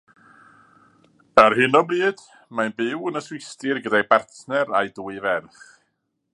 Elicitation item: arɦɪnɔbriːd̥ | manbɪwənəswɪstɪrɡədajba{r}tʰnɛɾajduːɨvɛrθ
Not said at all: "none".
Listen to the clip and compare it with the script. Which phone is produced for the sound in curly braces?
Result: r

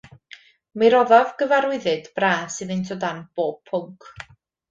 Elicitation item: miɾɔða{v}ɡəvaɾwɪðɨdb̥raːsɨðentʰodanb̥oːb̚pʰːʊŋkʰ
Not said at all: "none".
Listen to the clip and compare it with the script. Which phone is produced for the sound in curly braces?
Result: v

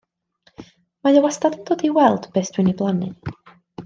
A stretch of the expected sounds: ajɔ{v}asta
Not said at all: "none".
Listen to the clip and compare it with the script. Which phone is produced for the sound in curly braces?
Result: w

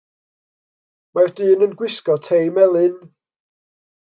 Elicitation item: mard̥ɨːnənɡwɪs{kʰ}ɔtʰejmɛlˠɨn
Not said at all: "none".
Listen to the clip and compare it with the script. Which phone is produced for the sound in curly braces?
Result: k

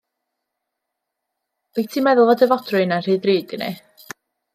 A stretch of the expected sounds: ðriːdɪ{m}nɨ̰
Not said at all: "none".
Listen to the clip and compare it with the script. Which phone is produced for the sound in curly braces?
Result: none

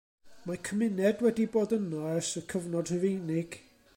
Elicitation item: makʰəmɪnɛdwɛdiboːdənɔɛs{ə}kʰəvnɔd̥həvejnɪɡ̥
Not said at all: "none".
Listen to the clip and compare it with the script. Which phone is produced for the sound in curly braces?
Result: ə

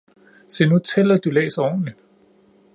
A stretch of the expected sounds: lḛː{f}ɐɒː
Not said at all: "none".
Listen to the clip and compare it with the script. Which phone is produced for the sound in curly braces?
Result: s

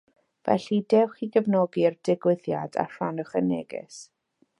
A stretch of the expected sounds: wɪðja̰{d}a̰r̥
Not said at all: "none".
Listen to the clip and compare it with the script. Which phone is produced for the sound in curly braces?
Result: d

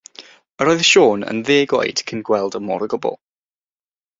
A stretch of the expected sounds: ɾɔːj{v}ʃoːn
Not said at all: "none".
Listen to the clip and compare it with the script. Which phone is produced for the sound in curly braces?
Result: ð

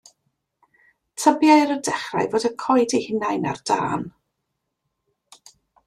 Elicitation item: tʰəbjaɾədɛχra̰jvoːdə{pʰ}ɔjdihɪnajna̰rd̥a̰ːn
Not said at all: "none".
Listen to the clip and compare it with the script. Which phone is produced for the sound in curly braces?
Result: kʰ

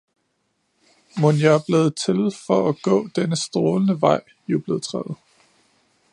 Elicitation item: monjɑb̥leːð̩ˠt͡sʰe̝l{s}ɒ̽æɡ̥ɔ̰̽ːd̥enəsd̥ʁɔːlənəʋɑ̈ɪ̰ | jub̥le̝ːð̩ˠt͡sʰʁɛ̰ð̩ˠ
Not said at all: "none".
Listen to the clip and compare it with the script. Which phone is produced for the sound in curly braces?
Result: f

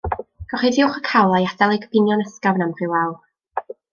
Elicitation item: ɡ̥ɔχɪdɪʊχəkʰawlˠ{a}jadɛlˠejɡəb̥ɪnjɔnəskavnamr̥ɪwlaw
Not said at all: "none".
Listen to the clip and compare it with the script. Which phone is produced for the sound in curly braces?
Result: a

